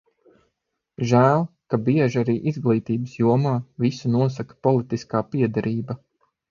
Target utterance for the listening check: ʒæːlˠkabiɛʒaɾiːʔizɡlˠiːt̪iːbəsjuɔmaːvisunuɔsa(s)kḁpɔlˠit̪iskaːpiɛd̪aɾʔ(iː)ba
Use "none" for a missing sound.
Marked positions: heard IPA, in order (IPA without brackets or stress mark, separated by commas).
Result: none, iː